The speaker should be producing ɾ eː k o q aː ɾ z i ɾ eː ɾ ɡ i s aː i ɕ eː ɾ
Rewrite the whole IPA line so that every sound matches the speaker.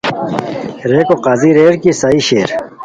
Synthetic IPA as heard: ɾ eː k o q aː z i ɾ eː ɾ k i s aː i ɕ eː ɾ